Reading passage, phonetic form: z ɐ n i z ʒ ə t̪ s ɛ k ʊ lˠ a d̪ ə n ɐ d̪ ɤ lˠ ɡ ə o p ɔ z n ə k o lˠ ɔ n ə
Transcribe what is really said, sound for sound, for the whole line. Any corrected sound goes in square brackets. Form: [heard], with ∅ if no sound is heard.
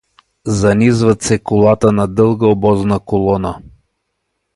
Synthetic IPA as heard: z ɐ n i z [v] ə t̪ s ɛ k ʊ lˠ a [t̪] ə n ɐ d̪ ɤ lˠ ɡ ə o [b] ɔ z n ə k o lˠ ɔ n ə